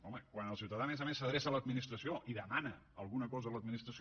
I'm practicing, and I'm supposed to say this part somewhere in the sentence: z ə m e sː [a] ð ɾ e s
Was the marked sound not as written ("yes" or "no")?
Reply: yes